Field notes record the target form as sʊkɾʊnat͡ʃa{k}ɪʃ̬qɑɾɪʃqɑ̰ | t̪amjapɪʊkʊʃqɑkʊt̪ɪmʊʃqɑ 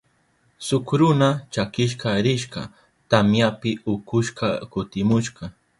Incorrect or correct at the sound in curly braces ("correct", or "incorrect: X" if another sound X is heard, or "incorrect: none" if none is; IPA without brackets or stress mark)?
correct